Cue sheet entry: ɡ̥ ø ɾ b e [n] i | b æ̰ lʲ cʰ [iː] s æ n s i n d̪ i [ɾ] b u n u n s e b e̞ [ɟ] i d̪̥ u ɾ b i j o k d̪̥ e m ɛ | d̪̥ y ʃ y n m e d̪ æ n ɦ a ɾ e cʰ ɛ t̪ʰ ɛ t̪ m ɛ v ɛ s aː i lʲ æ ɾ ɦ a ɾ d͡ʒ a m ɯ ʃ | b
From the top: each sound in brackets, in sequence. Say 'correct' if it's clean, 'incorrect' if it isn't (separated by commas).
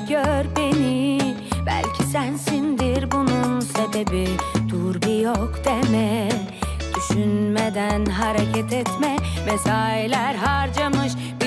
correct, incorrect, correct, incorrect